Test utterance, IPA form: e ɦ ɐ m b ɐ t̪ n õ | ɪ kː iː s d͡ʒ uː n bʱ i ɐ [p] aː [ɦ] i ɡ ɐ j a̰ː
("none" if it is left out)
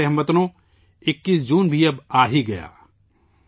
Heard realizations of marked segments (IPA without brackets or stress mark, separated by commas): b, ɦ